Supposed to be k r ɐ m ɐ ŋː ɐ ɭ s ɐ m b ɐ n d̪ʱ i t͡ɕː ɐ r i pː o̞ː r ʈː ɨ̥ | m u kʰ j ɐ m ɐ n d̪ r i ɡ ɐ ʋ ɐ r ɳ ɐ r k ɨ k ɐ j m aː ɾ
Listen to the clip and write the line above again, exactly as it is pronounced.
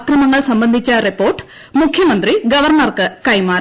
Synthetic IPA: k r ɐ m ɐ ŋː ɐ ɭ s ɐ m b ɐ n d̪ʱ i t͡ɕː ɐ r i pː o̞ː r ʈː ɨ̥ | m u kʰ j ɐ m ɐ n d̪ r i ɡ ɐ ʋ ɐ r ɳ ɐ r k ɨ k ɐ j m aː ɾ